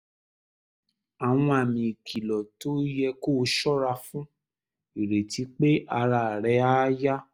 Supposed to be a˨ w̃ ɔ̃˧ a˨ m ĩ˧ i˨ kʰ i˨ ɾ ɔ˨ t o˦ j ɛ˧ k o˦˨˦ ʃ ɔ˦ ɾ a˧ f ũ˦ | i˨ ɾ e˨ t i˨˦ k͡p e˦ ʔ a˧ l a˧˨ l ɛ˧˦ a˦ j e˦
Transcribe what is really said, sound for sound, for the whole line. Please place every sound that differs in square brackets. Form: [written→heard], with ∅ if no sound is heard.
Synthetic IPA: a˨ w̃ ɔ̃˧ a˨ m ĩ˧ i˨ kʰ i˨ [ɾ→l] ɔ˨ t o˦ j ɛ˧ k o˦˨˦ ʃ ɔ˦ ɾ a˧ f ũ˦ | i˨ ɾ e˨ t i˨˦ k͡p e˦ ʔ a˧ [l→ɾ] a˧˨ [l→ɾ] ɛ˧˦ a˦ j [e˦→a˦]